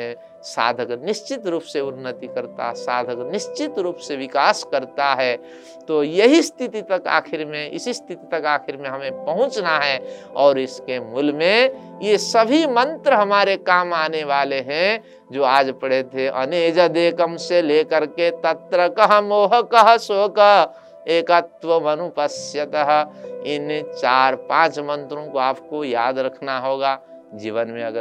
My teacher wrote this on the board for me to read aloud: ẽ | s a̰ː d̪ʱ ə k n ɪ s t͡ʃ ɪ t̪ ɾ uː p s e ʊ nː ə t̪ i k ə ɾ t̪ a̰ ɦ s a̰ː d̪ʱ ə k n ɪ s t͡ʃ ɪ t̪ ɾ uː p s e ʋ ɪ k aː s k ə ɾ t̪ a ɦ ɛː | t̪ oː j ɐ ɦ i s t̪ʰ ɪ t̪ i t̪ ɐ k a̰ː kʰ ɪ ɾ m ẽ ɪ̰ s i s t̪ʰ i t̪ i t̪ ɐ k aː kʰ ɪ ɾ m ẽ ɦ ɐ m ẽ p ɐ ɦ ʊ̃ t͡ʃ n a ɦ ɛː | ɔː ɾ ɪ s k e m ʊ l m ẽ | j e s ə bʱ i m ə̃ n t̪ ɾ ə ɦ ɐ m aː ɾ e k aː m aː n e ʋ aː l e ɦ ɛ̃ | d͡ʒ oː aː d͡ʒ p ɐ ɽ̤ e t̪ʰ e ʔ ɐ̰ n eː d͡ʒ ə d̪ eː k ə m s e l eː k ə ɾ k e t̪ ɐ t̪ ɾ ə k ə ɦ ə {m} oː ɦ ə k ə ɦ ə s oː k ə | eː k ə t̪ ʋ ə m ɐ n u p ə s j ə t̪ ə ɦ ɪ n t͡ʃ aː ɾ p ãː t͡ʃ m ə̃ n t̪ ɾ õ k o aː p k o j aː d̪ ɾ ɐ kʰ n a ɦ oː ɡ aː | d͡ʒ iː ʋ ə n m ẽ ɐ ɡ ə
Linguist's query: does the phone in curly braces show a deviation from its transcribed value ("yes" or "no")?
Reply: no